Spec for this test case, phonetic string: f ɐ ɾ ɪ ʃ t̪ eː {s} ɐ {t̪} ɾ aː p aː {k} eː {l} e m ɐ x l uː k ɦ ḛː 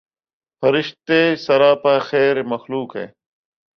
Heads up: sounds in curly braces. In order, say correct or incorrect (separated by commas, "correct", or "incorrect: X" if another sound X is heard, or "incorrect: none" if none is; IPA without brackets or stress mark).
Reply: correct, incorrect: none, incorrect: x, incorrect: ɾ